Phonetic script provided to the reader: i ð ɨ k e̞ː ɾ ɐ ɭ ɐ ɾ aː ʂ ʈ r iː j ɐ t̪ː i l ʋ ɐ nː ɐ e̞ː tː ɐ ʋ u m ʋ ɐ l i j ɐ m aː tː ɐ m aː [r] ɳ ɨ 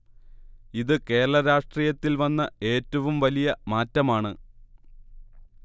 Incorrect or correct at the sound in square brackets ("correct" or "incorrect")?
incorrect